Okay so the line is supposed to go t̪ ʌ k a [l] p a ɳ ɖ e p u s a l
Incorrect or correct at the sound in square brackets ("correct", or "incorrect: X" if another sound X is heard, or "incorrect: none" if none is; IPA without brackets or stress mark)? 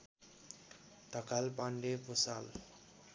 correct